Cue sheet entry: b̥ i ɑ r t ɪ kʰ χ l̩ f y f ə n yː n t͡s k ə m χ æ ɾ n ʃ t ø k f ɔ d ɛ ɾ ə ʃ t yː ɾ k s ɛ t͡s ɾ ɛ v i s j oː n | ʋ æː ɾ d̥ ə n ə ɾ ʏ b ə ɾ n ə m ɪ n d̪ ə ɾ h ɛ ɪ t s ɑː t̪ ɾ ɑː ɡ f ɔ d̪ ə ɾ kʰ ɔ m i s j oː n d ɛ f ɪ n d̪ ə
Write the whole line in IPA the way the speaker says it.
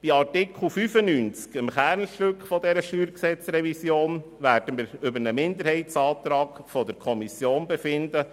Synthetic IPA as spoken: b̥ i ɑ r t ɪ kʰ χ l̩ f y f ə n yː n t͡s k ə m χ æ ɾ n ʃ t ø k f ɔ d ɛ ɾ ə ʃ t yː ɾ k s ɛ t͡s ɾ ɛ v i s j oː n | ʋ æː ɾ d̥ ə m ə ɾ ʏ b ə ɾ n ə m ɪ n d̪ ə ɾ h ɛ ɪ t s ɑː t̪ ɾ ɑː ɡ f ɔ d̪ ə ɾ kʰ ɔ m i s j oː n b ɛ f ɪ n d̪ ə